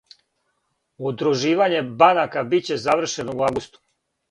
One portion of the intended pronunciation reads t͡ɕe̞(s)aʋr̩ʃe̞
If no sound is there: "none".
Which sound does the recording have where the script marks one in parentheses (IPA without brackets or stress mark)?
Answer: z